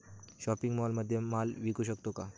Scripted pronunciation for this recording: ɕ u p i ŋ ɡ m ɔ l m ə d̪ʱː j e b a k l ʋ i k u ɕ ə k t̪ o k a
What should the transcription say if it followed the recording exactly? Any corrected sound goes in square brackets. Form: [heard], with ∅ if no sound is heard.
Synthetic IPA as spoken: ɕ [ɔ] p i ŋ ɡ m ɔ l m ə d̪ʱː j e [m] a [∅] l ʋ i k u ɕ ə k t̪ o k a